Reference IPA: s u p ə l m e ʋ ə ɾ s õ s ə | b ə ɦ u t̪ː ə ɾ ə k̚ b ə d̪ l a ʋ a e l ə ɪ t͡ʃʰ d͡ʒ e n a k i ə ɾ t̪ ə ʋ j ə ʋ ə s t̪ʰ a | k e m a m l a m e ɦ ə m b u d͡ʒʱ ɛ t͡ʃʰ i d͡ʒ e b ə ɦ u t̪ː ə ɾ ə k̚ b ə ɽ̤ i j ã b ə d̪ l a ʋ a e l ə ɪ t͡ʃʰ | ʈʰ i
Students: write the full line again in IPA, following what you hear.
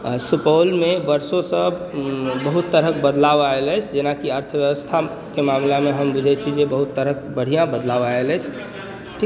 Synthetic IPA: s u p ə l m e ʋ ə ɾ s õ s ə | b ə ɦ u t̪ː ə ɾ ə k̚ b ə d̪ l a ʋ a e l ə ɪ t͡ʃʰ d͡ʒ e n a k i ə ɾ t̪ʰ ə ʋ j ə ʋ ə s t̪ʰ a | k e m a m l a m e ɦ ə m b u d͡ʒʱ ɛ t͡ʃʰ i d͡ʒ e b ə ɦ u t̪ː ə ɾ ə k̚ b ə ɽ̤ i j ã b ə d̪ l a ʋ a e l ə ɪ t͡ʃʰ | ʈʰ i